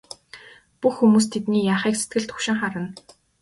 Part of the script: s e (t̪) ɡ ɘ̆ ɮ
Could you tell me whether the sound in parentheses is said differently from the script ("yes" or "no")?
no